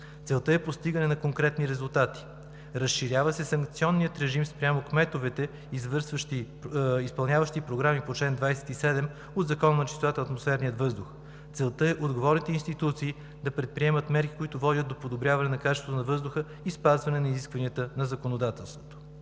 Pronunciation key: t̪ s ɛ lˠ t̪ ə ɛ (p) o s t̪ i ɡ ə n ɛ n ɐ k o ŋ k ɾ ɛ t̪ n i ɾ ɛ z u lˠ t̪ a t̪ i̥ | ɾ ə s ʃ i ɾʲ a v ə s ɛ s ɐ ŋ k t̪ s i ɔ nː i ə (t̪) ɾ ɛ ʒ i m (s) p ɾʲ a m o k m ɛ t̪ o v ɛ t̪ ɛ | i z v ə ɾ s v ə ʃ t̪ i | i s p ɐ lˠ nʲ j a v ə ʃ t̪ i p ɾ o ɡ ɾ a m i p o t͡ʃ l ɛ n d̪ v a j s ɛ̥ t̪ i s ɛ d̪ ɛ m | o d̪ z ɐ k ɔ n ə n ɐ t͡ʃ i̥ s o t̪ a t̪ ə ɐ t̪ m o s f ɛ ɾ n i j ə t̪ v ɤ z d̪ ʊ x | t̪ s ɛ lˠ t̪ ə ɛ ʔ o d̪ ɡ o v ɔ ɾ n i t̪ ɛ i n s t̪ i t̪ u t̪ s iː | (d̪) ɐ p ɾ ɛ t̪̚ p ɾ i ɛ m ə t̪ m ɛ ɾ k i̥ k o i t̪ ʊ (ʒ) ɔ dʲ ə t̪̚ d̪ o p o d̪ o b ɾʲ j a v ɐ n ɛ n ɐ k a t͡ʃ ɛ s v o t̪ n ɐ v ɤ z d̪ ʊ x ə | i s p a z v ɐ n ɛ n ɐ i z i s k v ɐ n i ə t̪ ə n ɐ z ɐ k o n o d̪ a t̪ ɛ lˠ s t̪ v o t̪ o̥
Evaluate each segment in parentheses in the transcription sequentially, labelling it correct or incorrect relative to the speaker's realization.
correct, correct, correct, correct, incorrect: v

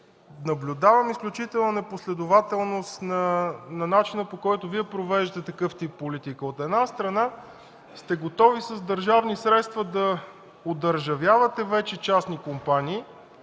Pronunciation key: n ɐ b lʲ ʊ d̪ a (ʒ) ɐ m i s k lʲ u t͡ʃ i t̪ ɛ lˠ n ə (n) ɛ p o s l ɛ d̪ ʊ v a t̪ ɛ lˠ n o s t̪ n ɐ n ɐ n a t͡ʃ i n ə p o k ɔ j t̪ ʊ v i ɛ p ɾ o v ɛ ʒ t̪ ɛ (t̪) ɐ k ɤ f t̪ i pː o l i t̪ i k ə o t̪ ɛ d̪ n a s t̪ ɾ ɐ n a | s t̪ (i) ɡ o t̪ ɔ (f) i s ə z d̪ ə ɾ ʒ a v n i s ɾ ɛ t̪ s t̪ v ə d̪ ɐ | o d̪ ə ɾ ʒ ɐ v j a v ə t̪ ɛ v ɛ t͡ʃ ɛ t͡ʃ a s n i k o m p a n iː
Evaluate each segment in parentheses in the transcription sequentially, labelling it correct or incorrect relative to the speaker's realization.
incorrect: v, correct, correct, incorrect: ɛ, incorrect: v

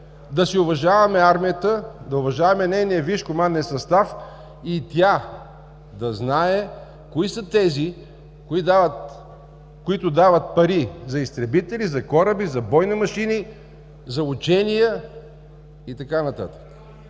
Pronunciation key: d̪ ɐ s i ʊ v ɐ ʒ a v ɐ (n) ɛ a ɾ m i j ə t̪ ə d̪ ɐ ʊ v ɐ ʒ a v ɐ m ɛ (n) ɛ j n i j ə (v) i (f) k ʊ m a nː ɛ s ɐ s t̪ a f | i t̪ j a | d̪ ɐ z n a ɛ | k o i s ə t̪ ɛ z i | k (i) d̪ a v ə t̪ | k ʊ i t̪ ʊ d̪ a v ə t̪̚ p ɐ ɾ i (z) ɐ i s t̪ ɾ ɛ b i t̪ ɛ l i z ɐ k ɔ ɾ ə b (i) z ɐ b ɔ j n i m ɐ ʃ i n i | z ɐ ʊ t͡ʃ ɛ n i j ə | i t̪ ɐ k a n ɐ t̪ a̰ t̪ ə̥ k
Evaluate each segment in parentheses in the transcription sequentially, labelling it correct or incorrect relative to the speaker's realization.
incorrect: m, correct, correct, incorrect: ʃ, correct, correct, correct

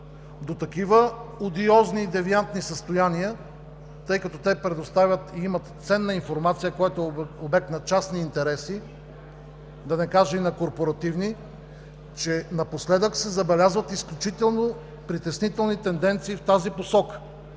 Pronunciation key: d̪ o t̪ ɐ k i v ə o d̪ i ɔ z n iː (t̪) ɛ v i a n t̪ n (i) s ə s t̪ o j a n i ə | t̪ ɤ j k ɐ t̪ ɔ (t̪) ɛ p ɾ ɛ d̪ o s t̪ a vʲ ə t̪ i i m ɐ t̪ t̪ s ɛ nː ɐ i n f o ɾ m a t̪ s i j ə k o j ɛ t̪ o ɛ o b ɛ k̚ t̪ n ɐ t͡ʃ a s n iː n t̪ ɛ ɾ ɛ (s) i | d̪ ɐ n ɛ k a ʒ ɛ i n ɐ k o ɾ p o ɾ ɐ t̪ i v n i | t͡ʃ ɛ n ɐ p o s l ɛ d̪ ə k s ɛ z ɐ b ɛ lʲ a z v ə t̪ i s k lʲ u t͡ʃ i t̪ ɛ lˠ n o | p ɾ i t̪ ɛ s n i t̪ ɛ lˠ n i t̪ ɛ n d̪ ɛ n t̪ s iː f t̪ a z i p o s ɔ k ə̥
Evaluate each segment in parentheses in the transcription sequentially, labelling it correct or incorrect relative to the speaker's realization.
incorrect: d̪, correct, correct, correct

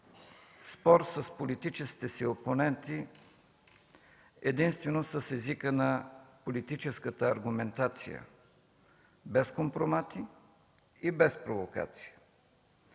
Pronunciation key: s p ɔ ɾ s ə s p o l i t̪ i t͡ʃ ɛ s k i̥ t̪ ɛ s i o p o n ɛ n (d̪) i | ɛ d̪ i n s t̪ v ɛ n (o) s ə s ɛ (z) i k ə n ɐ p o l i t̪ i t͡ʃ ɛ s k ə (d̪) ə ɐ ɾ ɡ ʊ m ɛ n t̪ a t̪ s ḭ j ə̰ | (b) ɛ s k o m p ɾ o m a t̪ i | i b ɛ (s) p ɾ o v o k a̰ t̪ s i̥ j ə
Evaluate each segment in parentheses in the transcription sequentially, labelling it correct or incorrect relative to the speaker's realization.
incorrect: t̪, correct, correct, incorrect: t̪, correct, correct

